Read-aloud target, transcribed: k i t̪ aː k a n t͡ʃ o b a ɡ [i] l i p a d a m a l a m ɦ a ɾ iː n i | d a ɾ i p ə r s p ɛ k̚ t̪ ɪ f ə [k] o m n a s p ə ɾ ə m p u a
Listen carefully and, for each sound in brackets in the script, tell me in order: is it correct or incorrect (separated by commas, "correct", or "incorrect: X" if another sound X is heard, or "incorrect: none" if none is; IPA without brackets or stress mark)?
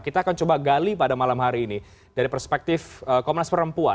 incorrect: a, correct